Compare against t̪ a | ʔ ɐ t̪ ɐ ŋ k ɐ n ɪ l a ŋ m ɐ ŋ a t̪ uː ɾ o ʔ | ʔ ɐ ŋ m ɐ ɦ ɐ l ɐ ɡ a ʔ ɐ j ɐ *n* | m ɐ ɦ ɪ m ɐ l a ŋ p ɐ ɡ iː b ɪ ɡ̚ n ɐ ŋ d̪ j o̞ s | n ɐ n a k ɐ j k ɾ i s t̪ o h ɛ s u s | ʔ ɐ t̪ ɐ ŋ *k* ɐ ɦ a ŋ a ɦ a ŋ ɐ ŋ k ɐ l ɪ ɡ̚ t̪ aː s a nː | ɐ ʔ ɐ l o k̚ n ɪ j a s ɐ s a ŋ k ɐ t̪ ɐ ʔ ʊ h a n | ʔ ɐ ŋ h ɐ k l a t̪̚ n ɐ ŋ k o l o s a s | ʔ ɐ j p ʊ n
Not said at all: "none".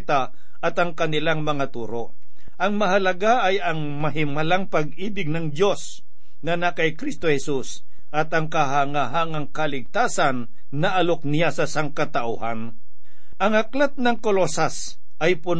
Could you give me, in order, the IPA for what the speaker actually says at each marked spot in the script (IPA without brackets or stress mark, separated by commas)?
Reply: ŋ, k